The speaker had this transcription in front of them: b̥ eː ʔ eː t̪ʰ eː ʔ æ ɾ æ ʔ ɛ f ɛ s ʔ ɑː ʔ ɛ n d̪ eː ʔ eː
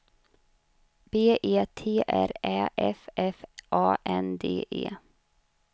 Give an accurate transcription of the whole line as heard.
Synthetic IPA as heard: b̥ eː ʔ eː t̪ʰ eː ʔ æ ɾ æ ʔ ɛ f ɛ f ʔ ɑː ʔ ɛ n d̪ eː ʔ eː